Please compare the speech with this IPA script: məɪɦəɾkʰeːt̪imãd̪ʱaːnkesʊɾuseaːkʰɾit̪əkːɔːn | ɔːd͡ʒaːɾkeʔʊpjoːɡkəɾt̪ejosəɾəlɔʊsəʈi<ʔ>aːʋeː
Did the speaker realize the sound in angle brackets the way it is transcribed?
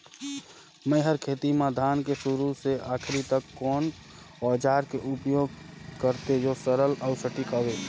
no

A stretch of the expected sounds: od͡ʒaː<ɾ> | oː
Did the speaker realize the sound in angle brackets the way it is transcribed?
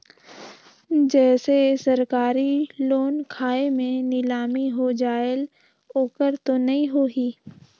no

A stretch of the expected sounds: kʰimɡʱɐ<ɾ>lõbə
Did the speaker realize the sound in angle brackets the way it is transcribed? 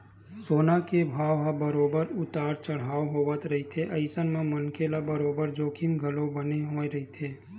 no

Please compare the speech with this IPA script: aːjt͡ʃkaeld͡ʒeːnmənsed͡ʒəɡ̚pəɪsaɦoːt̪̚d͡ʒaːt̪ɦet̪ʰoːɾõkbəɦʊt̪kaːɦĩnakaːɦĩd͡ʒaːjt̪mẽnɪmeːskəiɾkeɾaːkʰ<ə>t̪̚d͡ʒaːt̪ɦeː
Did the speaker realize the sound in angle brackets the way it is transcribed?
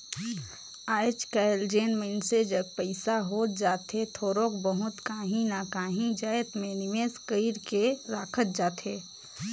yes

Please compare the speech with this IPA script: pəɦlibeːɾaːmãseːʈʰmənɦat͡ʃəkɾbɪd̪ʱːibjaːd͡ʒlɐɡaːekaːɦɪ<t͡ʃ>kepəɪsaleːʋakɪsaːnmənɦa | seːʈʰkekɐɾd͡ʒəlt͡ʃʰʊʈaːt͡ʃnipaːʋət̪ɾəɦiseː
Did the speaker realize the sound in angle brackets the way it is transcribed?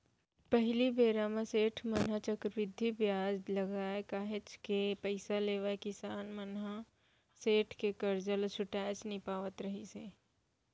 yes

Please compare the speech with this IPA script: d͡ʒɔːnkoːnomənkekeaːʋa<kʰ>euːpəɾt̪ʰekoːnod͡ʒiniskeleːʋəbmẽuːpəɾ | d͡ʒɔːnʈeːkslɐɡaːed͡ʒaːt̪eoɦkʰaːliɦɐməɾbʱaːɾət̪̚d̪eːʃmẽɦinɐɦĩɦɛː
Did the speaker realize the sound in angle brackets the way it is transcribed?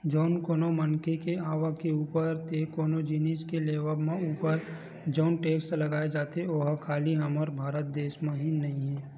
no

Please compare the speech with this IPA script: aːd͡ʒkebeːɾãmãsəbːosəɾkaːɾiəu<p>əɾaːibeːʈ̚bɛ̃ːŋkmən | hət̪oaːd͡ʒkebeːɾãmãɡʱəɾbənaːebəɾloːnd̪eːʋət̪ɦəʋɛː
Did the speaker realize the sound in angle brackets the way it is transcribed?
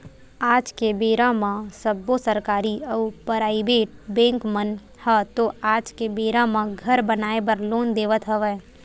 yes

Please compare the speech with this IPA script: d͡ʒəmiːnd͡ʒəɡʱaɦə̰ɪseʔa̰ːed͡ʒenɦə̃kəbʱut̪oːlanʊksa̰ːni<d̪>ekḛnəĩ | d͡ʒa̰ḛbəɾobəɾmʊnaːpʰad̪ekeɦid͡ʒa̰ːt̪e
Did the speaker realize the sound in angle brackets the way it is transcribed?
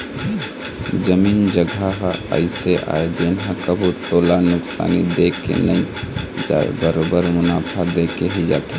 yes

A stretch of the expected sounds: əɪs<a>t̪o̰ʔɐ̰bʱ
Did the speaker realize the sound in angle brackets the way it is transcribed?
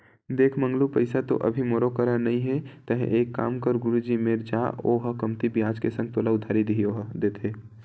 yes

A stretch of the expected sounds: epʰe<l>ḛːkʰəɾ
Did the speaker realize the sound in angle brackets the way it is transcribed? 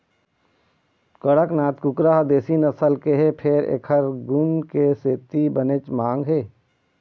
no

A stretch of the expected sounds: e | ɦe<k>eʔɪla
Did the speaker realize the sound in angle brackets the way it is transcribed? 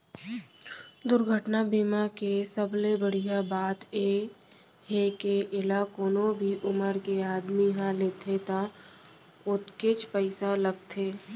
yes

